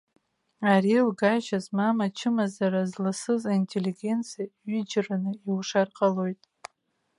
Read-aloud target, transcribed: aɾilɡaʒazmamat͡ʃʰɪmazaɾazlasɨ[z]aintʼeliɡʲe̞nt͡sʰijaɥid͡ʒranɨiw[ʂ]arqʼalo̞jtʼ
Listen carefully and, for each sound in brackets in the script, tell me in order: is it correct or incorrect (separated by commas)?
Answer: correct, correct